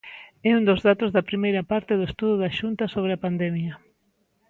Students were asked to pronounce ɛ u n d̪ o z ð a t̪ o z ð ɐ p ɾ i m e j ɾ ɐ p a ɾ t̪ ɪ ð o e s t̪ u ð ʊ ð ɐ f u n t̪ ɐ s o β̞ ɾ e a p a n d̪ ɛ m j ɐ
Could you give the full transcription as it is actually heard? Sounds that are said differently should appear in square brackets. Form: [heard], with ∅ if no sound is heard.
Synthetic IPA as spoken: ɛ u n d̪ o z ð a t̪ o z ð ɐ p ɾ i m e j ɾ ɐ p a ɾ t̪ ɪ ð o e s t̪ u ð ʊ ð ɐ [ʃ] u n t̪ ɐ s o β̞ ɾ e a p a n d̪ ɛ m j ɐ